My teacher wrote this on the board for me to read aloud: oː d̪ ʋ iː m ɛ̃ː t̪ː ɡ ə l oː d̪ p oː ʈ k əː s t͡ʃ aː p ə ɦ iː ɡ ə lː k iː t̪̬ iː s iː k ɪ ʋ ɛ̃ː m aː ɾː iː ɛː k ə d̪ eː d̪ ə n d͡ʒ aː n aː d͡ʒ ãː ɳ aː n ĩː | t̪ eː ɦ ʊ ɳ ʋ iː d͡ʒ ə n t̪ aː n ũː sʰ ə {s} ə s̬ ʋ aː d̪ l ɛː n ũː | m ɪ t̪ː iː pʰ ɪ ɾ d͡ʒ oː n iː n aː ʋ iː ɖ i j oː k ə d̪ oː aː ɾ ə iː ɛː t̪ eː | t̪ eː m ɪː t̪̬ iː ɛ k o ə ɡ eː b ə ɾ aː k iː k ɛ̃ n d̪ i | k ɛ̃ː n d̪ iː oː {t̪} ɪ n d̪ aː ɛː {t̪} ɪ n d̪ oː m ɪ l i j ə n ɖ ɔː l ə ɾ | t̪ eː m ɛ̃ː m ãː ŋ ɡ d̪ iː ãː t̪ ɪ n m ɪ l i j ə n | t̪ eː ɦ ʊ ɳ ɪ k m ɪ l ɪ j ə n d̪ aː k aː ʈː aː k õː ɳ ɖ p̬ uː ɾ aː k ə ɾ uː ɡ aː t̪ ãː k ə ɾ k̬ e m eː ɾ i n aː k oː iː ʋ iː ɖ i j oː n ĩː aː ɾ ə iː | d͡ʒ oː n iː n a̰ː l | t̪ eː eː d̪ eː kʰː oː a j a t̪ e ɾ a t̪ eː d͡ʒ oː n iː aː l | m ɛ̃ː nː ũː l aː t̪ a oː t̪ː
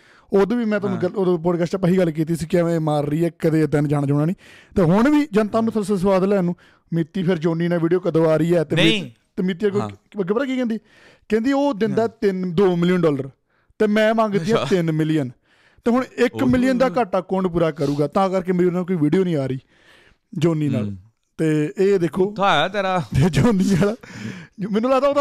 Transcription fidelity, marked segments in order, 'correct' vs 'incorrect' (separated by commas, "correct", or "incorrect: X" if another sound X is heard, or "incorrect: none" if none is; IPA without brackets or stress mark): correct, incorrect: d̪, correct